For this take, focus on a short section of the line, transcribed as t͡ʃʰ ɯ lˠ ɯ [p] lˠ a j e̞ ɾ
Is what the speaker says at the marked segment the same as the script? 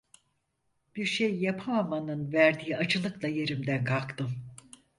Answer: no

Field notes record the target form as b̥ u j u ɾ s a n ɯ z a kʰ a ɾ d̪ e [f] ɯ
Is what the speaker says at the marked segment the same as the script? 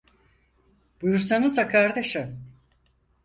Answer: no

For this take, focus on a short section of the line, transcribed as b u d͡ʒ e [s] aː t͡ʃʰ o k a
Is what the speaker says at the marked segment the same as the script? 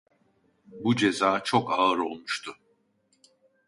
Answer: no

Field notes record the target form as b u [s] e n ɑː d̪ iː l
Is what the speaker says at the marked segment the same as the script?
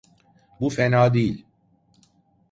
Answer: no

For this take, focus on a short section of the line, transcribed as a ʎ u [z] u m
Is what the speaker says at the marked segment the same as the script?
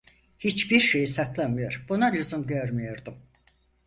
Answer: yes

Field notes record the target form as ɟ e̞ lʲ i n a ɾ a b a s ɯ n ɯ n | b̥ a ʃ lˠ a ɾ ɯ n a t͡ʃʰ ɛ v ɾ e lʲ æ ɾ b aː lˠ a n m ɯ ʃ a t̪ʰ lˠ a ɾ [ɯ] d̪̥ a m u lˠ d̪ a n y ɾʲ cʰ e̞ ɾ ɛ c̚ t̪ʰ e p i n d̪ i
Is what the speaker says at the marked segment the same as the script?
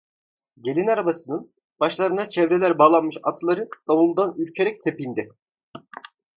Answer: yes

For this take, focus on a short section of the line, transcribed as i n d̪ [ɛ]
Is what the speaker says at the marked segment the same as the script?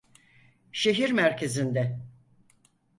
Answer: yes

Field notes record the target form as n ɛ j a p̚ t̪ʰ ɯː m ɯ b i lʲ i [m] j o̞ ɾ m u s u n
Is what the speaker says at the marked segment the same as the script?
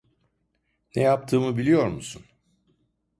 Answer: no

